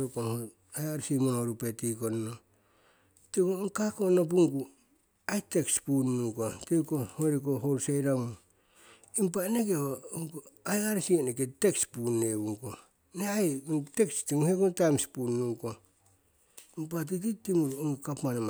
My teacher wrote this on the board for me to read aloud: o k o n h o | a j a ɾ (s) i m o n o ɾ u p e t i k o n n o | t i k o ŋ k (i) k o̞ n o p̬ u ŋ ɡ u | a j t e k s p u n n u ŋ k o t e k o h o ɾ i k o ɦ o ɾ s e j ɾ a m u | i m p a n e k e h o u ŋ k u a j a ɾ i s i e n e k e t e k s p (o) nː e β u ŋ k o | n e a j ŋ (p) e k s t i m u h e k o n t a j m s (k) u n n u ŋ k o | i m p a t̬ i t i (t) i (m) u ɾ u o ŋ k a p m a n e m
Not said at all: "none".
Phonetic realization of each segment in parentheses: s, a, u, t, p, t, m

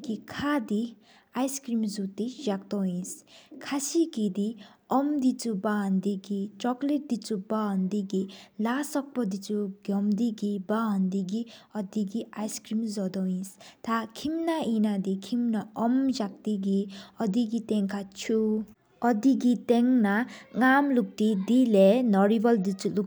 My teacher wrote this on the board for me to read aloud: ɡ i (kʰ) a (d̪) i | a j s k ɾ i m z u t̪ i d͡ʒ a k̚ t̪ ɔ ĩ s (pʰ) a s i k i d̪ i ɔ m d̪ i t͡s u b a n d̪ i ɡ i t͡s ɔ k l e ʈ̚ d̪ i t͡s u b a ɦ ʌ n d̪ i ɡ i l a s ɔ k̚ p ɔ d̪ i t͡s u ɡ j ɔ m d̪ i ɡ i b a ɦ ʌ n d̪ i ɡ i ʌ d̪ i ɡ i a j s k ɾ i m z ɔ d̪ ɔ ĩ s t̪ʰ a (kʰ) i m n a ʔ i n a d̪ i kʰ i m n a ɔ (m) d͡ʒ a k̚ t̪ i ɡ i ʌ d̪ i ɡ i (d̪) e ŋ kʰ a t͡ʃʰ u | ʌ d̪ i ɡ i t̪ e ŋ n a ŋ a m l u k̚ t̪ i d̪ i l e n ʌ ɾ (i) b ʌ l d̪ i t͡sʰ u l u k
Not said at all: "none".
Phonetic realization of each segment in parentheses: kʰ, d̪, kʰ, kʰ, m, t̪, i

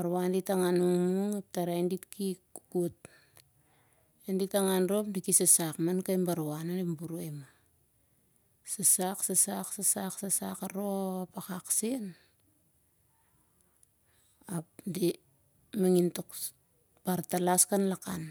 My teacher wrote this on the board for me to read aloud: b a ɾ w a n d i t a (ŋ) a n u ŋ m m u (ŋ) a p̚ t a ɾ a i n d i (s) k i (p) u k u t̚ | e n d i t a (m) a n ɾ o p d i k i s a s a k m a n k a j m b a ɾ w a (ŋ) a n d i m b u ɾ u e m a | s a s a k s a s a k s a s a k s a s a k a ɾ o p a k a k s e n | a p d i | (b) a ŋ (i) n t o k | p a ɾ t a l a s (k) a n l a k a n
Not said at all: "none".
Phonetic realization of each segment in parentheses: ŋ, ŋ, t, k, ŋ, n, m, i, k

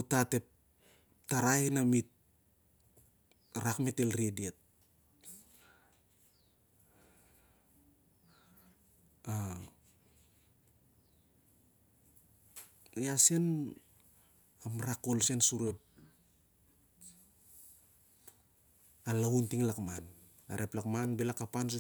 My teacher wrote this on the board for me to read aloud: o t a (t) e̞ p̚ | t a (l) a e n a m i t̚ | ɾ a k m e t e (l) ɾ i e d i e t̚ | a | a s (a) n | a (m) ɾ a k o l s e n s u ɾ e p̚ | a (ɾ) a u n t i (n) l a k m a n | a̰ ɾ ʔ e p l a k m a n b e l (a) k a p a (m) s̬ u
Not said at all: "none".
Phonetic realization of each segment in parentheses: t, ɾ, l, e, m, l, ŋ, a, n

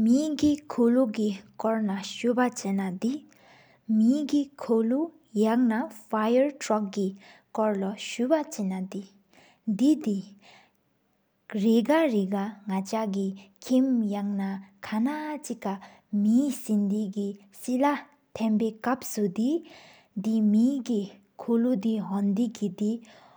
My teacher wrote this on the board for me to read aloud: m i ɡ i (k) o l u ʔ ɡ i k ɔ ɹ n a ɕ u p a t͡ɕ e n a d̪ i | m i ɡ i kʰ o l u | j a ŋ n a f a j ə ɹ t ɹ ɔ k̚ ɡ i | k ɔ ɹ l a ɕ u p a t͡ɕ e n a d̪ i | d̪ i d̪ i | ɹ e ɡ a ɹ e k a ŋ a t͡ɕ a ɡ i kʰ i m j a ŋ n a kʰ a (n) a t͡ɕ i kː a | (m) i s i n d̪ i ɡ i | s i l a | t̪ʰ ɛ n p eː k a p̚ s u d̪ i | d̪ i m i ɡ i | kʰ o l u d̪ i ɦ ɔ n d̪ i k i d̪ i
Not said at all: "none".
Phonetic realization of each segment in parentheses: kʰ, n, m

